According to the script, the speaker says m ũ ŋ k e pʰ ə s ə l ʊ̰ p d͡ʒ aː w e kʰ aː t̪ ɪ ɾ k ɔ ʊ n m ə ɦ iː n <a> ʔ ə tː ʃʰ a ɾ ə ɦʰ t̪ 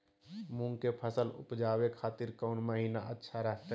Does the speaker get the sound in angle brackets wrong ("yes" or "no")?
no